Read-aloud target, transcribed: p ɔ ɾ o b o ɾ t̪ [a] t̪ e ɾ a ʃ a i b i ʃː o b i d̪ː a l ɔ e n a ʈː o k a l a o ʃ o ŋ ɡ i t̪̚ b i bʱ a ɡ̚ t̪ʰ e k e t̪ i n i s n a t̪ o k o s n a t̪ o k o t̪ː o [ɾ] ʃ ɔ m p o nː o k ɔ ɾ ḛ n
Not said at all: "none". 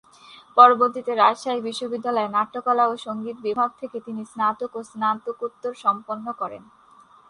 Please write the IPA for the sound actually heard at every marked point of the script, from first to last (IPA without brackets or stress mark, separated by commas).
i, ɾ